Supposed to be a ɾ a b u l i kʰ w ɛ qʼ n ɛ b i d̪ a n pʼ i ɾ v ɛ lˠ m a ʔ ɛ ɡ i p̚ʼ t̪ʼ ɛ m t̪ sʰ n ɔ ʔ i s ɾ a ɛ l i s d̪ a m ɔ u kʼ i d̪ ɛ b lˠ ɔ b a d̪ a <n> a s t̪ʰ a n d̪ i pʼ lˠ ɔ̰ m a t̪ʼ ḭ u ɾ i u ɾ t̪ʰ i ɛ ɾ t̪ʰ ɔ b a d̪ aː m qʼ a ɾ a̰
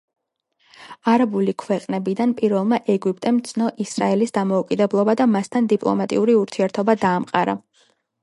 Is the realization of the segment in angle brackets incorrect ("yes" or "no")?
yes